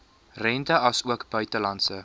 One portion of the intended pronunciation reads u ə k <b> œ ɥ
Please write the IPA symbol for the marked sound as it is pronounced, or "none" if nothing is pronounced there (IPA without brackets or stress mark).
b